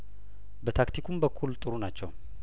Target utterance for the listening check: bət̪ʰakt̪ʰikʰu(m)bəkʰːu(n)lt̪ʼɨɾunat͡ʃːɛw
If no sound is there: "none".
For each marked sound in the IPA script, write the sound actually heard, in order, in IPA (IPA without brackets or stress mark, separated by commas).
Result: m, none